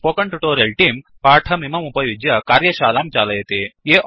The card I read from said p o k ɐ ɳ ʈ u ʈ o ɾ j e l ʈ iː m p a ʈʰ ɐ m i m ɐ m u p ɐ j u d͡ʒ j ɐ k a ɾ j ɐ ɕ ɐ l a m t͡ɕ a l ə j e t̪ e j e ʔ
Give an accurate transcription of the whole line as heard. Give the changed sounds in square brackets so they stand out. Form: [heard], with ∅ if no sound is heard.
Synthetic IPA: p o k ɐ ɳ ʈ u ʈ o ɾ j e l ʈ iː m p a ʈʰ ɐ m i m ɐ m u p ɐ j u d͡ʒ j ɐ k a ɾ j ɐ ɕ [a] l a m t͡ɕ a l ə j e t̪ e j e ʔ